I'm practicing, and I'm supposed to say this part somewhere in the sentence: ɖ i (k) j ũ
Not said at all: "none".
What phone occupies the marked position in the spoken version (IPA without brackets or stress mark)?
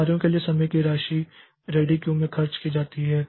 k